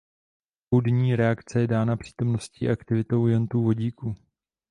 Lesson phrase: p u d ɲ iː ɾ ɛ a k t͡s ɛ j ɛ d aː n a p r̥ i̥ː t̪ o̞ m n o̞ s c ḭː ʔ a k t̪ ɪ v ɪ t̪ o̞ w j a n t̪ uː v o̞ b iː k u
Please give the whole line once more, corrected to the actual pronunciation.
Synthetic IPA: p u d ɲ iː ɾ ɛ a k t͡s ɛ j ɛ d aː n a p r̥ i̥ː t̪ o̞ m n o̞ s c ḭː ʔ a k t̪ ɪ v ɪ t̪ o̞ w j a n t̪ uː v o̞ ɟ iː k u